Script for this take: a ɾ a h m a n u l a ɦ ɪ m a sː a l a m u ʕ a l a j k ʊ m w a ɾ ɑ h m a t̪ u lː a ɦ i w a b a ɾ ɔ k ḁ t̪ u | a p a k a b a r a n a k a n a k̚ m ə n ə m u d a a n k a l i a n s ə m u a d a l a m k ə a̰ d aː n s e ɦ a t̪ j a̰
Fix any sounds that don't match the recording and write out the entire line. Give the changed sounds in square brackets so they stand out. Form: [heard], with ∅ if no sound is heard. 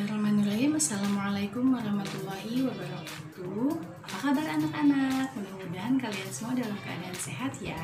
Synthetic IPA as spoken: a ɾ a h m a n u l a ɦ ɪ m a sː a l a m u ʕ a l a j k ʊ m w a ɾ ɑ h m a t̪ u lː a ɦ i w a b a ɾ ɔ k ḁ t̪ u | a p a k a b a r a n a k a n a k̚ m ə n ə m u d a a n k a l i a n s ə m u a d a l a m k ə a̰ d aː n s e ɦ a t̪ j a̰